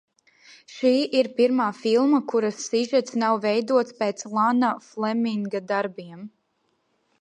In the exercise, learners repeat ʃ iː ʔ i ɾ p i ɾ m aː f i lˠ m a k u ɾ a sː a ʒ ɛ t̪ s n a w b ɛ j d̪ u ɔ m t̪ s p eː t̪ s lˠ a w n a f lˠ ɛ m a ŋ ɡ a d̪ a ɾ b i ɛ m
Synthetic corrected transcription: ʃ iː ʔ i ɾ p i ɾ m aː f i lˠ m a k u ɾ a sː i ʒ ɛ t̪ s n a w v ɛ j d̪ u ɔ t̪ s p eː t̪ s lˠ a n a f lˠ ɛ m i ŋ ɡ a d̪ a ɾ b i ɛ m